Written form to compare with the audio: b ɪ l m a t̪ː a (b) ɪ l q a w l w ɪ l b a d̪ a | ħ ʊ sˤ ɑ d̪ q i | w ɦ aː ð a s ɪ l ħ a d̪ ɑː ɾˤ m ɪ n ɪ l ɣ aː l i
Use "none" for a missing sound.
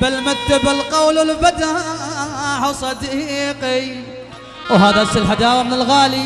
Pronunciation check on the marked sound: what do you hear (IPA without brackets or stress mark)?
b